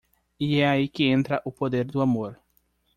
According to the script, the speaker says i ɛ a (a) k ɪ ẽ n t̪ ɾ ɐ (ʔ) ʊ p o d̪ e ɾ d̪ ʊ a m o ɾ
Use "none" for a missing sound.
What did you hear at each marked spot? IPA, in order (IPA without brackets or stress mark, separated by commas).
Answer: i, ʔ